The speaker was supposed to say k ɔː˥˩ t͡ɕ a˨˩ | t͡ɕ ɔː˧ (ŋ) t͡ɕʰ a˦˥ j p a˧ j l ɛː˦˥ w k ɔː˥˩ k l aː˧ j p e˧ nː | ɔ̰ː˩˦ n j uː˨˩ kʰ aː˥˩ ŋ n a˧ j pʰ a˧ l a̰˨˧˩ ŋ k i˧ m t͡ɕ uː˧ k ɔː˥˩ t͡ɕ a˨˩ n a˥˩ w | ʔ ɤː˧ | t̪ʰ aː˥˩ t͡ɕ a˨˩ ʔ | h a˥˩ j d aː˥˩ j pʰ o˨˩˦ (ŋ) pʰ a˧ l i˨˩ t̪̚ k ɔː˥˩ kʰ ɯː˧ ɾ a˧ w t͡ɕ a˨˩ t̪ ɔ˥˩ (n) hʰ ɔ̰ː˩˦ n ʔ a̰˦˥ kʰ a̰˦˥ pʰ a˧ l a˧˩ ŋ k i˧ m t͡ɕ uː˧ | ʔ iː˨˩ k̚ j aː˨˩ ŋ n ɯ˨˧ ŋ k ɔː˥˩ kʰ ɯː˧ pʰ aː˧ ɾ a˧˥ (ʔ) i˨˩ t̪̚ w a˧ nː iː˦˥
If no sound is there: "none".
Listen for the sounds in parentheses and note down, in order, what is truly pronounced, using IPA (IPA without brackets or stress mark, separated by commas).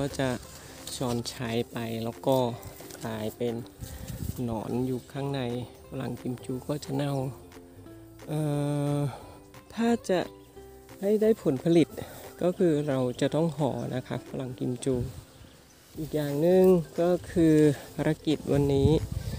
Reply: n, n, ŋ, k